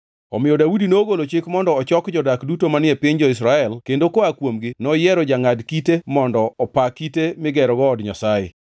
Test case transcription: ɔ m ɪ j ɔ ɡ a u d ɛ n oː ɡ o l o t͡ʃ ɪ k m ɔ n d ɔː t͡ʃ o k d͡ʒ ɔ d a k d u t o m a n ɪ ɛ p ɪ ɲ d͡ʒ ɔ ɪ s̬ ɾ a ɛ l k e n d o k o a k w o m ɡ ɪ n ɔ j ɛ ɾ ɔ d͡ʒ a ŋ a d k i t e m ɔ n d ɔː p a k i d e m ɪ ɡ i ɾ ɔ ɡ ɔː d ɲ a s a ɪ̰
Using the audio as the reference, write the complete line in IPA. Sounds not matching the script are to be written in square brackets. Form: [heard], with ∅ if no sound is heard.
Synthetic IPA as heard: ɔ m ɪ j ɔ [d] a u d [i] n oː ɡ o l o t͡ʃ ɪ k m ɔ n d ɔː t͡ʃ [ɔ] k d͡ʒ ɔ d a k d u t o m a n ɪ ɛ p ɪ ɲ d͡ʒ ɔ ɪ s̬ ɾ a ɛ l k e n d o k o a k w o m ɡ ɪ n ɔ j ɛ ɾ ɔ d͡ʒ a ŋ a d k i t e m ɔ n d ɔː p a k i [t] e m ɪ ɡ [ɛ] ɾ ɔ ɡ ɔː d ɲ a s a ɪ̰